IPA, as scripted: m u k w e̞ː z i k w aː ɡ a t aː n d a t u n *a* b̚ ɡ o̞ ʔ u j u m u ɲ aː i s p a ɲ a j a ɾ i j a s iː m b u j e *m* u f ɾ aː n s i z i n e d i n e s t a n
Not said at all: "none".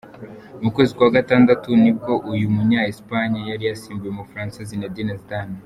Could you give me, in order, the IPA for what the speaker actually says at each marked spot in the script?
i, m

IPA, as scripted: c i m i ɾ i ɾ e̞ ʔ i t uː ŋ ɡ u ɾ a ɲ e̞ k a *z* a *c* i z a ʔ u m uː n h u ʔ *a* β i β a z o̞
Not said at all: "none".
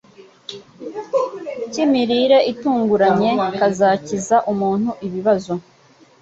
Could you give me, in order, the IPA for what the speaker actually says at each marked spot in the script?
z, c, i

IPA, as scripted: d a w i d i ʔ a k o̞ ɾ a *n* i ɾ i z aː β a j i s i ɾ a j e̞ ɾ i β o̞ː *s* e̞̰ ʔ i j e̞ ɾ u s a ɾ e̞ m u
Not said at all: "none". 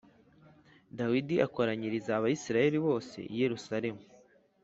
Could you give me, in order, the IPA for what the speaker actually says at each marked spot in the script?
ɲ, s

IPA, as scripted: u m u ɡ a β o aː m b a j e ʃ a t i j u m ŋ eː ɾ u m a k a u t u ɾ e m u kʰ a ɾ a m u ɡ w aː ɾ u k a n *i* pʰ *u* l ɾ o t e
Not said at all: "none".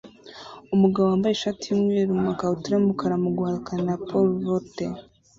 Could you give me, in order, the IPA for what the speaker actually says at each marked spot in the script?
a, o

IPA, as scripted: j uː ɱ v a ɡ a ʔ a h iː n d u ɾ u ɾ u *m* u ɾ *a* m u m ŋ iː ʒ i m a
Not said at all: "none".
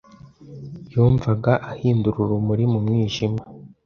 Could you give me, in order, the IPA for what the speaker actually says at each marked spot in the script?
m, i

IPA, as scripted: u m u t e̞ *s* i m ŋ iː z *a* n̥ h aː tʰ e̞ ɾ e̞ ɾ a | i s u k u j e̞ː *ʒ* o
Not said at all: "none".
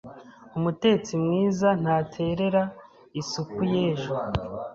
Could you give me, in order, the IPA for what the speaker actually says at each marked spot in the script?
t͡s, a, ʒ

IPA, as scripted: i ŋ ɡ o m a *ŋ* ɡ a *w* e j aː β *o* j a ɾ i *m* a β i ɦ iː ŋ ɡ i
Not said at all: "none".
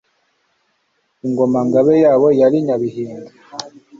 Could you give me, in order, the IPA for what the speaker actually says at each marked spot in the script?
ŋ, β, o, ɲ

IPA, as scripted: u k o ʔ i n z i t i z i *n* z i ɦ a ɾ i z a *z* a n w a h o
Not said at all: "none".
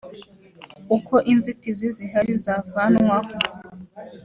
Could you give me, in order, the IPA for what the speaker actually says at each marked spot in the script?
none, v

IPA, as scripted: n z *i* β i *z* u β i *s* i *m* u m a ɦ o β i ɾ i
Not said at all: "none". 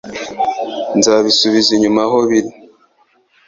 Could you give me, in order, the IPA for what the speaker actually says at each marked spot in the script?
a, s, z, ɲ

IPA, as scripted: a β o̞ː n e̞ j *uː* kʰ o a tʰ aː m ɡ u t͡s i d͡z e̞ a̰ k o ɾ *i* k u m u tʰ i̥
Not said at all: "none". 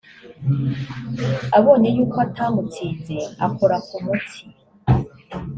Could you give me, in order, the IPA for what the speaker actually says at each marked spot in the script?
uː, a

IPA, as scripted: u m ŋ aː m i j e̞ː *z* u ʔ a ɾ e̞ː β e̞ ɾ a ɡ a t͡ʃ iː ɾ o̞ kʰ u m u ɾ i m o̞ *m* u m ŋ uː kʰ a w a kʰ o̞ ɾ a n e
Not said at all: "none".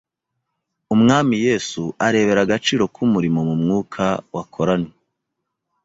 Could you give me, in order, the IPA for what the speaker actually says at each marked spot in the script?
s, m

